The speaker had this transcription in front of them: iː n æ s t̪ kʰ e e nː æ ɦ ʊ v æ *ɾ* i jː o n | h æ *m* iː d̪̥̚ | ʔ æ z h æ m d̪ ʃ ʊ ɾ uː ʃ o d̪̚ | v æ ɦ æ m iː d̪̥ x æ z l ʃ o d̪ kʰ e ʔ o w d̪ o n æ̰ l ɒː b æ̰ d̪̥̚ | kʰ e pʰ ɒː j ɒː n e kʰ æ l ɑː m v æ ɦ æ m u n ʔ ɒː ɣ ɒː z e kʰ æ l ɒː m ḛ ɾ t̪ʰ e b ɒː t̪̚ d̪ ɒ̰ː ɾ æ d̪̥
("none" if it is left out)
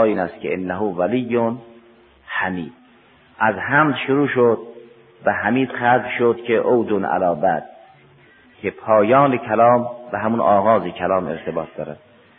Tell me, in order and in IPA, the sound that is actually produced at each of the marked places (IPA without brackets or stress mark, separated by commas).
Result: l, m